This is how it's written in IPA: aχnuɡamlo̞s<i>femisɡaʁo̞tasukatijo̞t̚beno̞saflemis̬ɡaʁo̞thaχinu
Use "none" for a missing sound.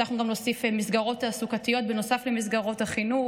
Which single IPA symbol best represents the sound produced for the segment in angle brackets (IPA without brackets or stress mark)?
i